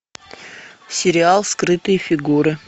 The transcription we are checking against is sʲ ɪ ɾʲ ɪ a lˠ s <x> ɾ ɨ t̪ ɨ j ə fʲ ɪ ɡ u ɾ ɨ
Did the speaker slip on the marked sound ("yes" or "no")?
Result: yes